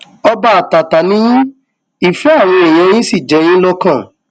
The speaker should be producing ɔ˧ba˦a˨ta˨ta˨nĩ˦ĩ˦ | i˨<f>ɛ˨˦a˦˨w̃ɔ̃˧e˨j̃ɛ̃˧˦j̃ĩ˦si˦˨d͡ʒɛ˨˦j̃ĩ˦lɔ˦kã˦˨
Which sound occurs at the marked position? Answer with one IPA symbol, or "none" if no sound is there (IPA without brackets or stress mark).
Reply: f